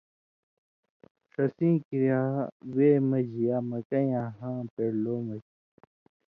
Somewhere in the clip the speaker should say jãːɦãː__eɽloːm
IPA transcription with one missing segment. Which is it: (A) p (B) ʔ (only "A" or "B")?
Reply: A